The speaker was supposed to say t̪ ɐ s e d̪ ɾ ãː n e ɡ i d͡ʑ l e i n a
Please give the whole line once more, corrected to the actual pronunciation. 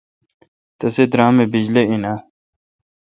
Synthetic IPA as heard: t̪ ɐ s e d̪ ɾ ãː m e b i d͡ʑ l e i n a